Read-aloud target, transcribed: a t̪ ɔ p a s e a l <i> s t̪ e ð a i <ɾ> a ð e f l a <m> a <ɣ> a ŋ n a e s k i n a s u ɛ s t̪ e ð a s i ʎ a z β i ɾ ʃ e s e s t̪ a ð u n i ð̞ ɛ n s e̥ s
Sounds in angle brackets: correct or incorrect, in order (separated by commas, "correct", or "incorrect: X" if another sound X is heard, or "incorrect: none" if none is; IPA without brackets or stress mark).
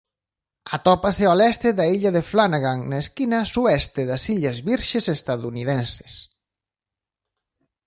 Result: incorrect: ɛ, incorrect: ʎ, incorrect: n, correct